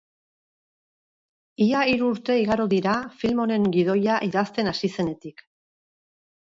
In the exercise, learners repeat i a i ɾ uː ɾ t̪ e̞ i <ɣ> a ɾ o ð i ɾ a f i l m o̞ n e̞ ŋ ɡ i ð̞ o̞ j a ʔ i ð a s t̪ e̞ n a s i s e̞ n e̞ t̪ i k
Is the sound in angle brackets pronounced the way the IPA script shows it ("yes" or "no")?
yes